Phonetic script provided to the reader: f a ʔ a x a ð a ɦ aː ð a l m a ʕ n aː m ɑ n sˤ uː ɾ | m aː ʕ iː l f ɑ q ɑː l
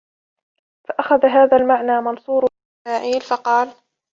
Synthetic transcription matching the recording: f a ʔ a x a ð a ɦ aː ð a l m a ʕ n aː m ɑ n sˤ uː ɾ | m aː ʕ iː l f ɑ q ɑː l